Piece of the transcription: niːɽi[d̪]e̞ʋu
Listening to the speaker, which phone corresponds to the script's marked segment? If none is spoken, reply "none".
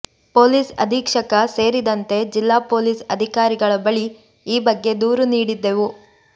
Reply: d̪ː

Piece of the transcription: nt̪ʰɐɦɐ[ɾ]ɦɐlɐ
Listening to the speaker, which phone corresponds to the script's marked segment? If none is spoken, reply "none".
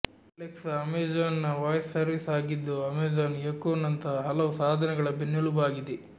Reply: none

